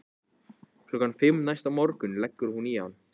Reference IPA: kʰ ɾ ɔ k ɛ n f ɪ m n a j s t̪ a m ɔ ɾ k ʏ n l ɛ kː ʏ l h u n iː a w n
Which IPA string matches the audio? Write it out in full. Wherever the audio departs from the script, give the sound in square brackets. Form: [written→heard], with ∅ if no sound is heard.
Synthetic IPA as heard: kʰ [ɾ→l] ɔ k [ɛ→a] n f ɪ m n a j s t̪ a m ɔ ɾ k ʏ n l ɛ kː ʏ [l→ɾ] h u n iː a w n